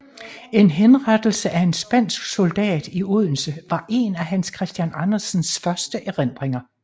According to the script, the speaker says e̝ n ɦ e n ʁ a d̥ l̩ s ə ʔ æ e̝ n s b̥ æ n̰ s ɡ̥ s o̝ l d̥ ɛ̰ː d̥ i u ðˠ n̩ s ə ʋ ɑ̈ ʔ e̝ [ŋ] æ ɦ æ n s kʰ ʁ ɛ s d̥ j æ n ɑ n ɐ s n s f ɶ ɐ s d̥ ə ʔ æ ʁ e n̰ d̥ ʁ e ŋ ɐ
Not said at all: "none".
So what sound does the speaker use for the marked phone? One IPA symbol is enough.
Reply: n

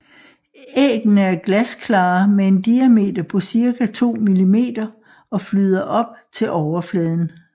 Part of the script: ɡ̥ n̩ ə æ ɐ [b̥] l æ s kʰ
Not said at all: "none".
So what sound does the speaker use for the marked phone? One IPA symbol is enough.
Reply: ɡ̥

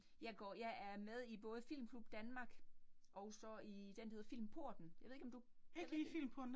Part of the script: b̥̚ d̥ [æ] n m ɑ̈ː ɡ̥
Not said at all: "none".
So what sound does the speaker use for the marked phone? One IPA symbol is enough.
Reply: æ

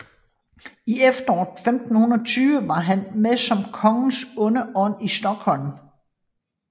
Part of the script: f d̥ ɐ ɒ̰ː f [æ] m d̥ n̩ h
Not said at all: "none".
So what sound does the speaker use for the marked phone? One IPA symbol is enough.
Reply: e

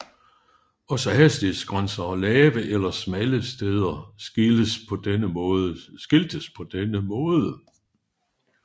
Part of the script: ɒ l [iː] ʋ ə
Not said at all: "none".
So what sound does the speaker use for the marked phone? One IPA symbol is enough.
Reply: ɛː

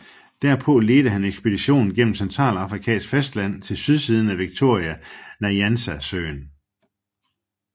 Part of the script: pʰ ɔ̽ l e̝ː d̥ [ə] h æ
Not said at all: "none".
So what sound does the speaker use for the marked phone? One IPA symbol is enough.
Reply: ə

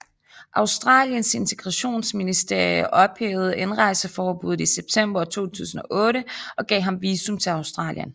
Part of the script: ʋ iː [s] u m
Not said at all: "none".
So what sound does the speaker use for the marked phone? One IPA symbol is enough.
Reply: s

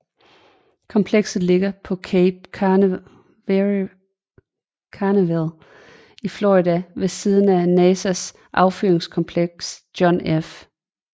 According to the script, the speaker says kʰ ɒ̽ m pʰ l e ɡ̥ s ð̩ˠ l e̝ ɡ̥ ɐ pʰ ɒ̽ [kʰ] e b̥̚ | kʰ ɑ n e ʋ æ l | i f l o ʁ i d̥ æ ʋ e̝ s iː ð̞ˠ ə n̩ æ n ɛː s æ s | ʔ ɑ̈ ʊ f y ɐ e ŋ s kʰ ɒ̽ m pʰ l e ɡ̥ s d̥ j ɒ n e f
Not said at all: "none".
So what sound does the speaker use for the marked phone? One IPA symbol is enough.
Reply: kʰ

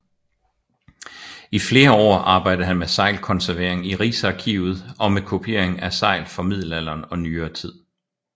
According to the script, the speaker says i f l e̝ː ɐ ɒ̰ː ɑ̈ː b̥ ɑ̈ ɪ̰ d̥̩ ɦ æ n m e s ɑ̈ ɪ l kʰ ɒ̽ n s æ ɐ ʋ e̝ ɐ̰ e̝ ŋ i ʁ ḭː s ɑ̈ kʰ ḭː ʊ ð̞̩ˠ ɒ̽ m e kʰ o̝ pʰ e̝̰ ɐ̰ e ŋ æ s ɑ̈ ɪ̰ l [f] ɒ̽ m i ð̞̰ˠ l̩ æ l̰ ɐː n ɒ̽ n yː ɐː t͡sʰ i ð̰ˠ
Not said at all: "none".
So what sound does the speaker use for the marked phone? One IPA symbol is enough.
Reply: f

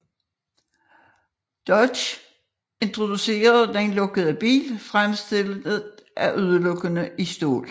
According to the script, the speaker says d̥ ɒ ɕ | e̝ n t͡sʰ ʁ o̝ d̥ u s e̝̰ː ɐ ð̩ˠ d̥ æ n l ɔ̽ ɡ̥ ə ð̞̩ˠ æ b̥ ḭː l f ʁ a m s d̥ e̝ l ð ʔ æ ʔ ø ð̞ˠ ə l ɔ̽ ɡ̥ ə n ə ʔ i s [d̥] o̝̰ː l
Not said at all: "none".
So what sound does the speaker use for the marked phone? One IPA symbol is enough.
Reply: d̥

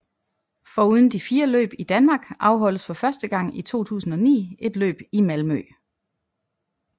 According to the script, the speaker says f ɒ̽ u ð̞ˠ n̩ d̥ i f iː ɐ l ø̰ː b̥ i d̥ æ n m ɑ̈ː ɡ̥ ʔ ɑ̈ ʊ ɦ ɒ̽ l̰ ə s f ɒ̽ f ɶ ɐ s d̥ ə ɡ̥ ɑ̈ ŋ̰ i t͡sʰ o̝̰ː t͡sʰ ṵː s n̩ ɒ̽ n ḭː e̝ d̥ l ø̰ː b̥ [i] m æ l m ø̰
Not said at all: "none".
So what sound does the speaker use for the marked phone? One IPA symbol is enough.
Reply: i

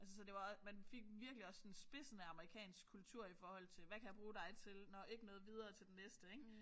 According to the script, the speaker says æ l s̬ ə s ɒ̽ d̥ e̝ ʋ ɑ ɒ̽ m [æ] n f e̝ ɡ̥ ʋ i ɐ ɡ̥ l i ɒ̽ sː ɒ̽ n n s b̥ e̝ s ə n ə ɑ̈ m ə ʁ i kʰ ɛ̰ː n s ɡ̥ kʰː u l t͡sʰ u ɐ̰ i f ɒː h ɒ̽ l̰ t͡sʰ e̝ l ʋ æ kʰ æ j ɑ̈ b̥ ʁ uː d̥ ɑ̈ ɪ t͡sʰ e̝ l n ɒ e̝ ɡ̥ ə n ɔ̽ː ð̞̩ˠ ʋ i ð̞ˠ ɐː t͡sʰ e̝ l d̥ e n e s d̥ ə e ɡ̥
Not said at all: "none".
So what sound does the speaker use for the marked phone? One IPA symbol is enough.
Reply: æ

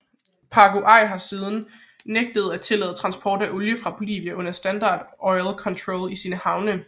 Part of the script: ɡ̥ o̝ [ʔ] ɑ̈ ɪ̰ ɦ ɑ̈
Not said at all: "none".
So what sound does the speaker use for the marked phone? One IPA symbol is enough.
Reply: ʔ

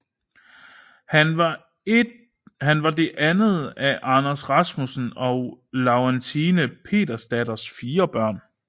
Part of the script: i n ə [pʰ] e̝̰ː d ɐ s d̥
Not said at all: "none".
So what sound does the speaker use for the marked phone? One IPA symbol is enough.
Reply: pʰ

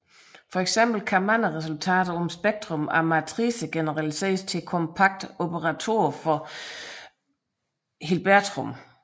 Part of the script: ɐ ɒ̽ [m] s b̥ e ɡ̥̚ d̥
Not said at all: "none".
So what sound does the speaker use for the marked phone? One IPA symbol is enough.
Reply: m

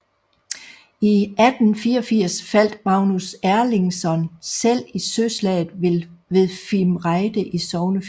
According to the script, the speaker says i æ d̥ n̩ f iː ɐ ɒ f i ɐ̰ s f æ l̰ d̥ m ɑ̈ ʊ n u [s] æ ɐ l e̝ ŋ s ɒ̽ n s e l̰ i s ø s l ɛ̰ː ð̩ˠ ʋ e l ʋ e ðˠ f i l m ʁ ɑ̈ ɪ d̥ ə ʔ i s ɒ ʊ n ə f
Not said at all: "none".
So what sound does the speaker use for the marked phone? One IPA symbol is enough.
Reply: s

